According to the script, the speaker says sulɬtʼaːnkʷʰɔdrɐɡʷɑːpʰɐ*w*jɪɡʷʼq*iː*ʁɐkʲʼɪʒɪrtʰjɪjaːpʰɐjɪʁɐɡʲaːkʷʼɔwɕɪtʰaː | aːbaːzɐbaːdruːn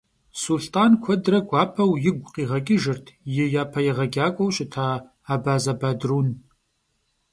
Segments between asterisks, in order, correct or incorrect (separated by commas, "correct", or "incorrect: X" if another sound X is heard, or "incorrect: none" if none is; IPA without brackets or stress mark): correct, correct